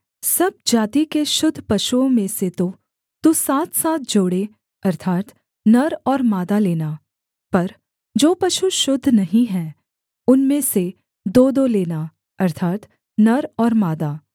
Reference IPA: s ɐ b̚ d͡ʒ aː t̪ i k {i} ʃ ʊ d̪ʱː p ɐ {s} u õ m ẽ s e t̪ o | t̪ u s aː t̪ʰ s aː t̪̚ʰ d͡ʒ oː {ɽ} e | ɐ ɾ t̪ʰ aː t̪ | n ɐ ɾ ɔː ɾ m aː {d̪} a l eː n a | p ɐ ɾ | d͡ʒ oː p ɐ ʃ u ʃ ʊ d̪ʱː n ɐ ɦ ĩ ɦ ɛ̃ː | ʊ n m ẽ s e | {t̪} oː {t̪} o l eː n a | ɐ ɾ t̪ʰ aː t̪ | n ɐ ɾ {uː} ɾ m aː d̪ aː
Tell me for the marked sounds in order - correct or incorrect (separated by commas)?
incorrect, incorrect, correct, correct, incorrect, incorrect, incorrect